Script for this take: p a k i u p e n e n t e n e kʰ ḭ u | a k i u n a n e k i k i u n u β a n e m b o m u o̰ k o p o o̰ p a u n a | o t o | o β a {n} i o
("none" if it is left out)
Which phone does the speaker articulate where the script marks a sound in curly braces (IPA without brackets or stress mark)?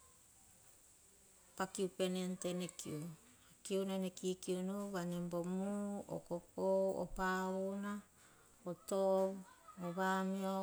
m